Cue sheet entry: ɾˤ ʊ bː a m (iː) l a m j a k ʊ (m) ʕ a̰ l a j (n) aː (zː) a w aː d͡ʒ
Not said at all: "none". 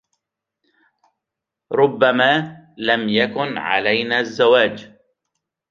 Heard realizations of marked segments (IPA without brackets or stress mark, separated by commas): aː, n, n, zː